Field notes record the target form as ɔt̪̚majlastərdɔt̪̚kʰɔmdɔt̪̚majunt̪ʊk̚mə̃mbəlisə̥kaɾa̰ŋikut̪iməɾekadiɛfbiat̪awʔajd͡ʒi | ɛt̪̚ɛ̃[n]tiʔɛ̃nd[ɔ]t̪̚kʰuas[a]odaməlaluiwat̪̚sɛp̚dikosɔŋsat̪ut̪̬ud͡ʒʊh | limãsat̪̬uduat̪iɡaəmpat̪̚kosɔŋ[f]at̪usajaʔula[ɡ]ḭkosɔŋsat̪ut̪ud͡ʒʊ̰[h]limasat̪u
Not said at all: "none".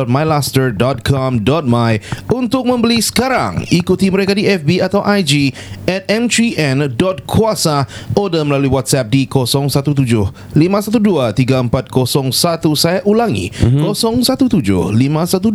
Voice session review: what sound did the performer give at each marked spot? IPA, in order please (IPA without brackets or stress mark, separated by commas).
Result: m, ɔ, a, s, ŋ, h